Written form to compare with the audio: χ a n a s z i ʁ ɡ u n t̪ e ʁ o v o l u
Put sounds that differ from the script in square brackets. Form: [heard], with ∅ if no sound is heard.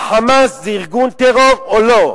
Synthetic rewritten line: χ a [m] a s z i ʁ ɡ u n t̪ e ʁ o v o l [o]